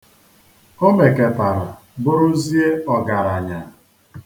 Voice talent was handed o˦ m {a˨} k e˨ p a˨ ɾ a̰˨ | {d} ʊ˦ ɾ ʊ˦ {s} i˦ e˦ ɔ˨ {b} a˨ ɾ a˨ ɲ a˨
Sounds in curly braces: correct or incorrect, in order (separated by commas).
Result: incorrect, incorrect, incorrect, incorrect